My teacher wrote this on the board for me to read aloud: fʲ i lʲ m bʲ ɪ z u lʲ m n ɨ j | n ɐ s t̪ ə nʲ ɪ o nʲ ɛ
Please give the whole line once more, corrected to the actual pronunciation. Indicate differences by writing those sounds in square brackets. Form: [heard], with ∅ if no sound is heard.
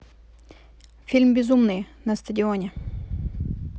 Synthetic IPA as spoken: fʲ i lʲ m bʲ ɪ z u [∅] m n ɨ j | n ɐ s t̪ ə [dʲ] ɪ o nʲ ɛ